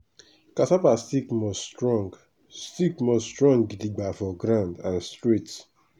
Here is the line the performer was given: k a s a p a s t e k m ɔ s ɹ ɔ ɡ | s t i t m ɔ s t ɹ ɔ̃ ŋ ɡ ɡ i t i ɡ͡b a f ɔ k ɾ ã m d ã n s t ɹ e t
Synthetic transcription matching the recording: k a s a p a s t i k m ɔ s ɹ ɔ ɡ | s t i k m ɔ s t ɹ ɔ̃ ŋ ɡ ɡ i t i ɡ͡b a f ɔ ɡ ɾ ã n d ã n s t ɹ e t